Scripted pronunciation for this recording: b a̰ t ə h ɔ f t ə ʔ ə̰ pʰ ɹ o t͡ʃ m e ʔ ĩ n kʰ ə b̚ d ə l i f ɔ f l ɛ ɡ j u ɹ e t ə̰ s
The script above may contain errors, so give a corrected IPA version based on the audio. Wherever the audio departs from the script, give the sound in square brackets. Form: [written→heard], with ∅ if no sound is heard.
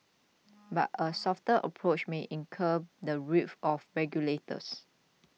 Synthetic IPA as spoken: b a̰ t ə [h→s] ɔ f t ə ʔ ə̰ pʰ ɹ o t͡ʃ m e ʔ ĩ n kʰ ə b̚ d ə [l→ɹ] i f ɔ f [l→ɹ] ɛ ɡ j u [ɹ→l] e t ə̰ s